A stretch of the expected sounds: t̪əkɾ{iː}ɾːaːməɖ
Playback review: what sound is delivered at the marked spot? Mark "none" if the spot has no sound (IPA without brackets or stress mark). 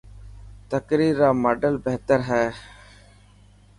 iː